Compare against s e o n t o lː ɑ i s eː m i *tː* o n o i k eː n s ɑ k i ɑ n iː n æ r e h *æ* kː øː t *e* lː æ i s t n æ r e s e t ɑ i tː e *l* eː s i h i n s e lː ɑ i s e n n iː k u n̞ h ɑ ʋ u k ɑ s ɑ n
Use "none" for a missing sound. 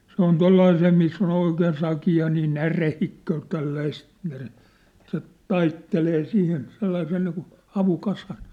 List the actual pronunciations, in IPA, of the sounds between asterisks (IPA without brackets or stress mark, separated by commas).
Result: sː, i, æ, l